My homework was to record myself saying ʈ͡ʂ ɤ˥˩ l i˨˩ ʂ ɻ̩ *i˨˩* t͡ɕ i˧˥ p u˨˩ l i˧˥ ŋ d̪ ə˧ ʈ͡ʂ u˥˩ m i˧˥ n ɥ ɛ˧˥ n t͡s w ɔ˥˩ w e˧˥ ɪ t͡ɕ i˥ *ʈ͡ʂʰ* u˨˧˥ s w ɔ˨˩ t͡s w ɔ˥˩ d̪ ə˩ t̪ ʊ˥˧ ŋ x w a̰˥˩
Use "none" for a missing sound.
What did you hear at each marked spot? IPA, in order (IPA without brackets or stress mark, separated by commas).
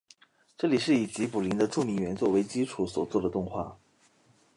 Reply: i˨˩, ʈ͡ʂʰ